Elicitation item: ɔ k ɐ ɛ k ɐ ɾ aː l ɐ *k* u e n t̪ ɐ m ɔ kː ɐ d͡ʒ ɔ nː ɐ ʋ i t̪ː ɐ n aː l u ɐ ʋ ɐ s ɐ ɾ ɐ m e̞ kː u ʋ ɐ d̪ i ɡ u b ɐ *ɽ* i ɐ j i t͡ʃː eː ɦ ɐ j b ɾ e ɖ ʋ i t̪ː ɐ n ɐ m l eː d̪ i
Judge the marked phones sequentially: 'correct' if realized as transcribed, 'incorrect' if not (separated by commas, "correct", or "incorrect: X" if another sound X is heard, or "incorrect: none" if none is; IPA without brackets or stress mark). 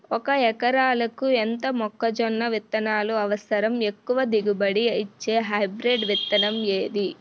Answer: correct, correct